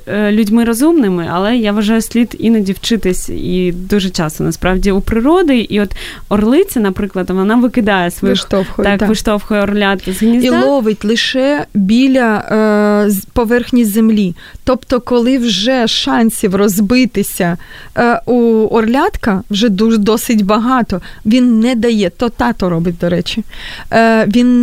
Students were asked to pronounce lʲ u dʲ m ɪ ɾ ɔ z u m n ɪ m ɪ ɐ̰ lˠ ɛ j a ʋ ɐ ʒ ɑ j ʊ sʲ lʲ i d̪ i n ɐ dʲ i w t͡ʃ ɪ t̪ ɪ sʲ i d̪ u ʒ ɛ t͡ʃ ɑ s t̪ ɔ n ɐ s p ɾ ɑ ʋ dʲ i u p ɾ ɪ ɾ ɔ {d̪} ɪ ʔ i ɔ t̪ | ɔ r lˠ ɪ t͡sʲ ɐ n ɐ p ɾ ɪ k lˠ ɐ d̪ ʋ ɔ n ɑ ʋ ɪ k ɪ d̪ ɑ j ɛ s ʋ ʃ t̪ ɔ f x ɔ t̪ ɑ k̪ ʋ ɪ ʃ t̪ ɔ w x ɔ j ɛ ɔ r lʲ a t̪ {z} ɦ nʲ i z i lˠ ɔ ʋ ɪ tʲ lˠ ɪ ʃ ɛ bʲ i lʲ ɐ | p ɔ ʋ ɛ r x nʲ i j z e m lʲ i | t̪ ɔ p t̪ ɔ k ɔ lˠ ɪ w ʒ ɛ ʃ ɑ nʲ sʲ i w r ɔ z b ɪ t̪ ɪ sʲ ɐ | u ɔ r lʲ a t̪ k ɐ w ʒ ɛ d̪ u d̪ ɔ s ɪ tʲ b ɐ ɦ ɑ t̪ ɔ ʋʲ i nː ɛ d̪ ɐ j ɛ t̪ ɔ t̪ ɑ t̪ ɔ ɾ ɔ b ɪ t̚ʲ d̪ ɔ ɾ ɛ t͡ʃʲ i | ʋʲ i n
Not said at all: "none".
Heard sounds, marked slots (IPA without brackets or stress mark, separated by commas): d̪, z